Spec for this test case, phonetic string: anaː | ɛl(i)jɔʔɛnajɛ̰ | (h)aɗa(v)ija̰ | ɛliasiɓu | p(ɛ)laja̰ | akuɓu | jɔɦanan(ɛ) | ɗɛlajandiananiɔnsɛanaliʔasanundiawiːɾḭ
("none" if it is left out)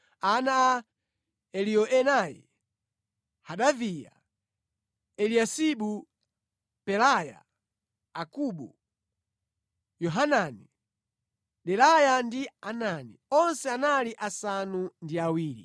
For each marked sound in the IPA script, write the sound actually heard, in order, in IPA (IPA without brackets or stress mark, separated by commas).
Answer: i, h, v, ɛ, i